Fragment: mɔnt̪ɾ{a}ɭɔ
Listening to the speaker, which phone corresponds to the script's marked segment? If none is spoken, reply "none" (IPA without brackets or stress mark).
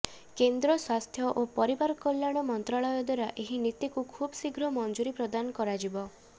a